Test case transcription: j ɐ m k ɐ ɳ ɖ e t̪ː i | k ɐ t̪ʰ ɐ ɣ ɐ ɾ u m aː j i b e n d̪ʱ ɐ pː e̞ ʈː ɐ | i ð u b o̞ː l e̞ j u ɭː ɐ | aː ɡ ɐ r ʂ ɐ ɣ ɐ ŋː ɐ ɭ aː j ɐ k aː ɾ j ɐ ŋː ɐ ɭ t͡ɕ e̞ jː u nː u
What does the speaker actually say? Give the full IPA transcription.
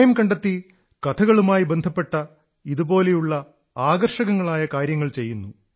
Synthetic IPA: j ɐ m k ɐ ɳ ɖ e t̪ː i | k ɐ t̪ʰ ɐ ɣ ɐ ɭ u m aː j i b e n d̪ʱ ɐ pː e̞ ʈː ɐ | i ð u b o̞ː l e̞ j u ɭː ɐ | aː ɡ ɐ r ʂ ɐ ɣ ɐ ŋː ɐ ɭ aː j ɐ k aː ɾ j ɐ ŋː ɐ ɭ t͡ɕ e̞ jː u nː u